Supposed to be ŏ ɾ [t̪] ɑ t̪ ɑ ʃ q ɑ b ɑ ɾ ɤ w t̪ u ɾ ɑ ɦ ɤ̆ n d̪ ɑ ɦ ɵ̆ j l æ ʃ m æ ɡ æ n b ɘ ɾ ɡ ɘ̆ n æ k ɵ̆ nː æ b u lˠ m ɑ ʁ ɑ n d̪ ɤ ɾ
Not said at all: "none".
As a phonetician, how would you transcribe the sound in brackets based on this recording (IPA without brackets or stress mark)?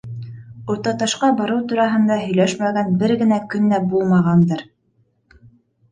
t̪